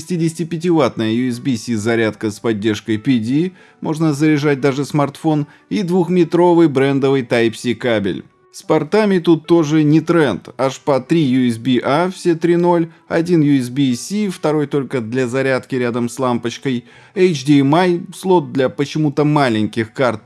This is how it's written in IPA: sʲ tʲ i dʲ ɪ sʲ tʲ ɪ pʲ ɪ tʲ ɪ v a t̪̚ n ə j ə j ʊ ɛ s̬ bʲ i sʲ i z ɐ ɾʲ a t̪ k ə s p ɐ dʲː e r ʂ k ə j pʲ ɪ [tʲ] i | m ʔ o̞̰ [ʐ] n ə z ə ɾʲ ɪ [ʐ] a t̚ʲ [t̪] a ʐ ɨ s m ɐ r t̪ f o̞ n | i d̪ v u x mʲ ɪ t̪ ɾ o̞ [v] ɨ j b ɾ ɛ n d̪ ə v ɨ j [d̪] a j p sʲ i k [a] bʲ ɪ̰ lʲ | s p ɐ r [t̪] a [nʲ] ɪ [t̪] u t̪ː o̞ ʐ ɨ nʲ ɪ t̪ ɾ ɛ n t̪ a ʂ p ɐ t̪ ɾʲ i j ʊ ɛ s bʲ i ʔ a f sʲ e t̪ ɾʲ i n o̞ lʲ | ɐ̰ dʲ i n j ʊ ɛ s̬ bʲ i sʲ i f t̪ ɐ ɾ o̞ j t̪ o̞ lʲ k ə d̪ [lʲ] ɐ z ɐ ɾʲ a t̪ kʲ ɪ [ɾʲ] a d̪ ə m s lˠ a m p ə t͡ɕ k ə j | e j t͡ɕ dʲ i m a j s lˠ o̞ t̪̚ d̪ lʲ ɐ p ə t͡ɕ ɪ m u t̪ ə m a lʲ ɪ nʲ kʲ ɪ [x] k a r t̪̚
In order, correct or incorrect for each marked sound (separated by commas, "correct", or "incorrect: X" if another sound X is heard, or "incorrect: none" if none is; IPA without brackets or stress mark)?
incorrect: dʲ, correct, correct, incorrect: d̪, correct, incorrect: t̪, correct, correct, incorrect: mʲ, correct, correct, correct, correct